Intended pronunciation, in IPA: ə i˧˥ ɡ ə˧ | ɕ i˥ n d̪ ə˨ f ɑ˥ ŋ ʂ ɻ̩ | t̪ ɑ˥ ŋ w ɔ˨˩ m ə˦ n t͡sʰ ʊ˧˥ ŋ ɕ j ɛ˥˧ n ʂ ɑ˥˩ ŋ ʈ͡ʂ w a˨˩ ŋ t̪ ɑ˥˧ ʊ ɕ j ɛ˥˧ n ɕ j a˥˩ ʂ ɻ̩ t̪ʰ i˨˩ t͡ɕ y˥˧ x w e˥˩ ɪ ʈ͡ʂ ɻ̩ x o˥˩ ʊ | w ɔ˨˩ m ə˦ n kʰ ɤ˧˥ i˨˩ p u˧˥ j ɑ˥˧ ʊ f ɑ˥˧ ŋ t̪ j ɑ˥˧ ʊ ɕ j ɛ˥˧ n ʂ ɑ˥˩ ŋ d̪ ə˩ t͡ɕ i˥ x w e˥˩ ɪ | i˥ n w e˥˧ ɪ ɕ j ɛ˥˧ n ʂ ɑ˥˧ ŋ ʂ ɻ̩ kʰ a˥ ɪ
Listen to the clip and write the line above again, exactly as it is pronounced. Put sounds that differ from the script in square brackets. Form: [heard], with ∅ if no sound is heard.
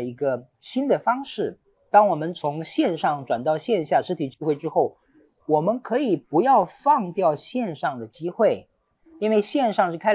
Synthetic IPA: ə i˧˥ ɡ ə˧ | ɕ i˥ n d̪ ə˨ f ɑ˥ ŋ ʂ ɻ̩ | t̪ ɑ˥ ŋ w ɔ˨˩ m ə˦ n t͡sʰ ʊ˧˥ ŋ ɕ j ɛ˥˧ n ʂ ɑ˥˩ ŋ ʈ͡ʂ w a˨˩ [n] t̪ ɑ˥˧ ʊ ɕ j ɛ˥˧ n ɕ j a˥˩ ʂ ɻ̩ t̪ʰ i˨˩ t͡ɕ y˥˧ x w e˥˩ ɪ ʈ͡ʂ ɻ̩ x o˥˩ ʊ | w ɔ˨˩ m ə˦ n kʰ ɤ˧˥ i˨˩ p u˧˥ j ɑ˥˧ ʊ f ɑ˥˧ ŋ t̪ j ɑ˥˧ ʊ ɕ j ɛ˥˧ n ʂ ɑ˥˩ ŋ d̪ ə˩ t͡ɕ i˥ x w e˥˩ ɪ | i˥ n w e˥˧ ɪ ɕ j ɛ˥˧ n ʂ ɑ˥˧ ŋ ʂ ɻ̩ kʰ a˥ ɪ